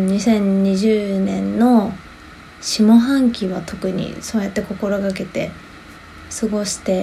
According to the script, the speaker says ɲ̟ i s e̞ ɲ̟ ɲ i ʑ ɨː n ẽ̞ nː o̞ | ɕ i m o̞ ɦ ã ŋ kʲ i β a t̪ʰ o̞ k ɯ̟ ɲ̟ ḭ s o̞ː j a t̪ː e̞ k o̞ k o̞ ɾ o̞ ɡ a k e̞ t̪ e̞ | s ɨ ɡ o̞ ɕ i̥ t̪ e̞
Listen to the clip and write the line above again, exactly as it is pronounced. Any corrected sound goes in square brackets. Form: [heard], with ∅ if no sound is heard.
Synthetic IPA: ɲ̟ i s [ẽ̞] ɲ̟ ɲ i ʑ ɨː n ẽ̞ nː o̞ | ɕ i m o̞ ɦ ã ŋ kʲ i β a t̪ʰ o̞ k ɯ̟ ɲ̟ ḭ s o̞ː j a t̪ː e̞ k o̞ k o̞ ɾ o̞ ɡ a k e̞ t̪ e̞ | s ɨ ɡ o̞ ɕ i̥ t̪ e̞